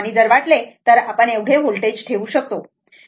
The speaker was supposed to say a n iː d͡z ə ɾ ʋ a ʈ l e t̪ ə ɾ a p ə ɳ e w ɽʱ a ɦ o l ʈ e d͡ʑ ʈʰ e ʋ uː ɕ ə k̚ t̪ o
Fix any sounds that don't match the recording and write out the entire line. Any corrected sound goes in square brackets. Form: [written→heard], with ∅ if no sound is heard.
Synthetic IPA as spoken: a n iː d͡z ə ɾ ʋ a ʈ l e t̪ ə ɾ a p ə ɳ e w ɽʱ [a→e] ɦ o l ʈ e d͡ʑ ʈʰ e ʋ uː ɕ ə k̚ t̪ o